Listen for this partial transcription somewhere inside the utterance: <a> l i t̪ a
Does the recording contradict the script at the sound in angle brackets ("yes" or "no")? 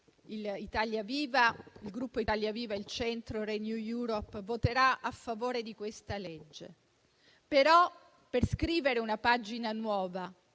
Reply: yes